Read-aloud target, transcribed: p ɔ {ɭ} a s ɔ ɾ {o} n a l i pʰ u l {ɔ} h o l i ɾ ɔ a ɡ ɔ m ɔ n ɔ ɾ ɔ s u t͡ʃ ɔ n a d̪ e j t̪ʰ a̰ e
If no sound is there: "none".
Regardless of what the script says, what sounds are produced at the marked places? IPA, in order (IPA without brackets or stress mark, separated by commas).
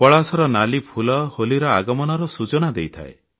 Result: ɭ, ɔ, ɔ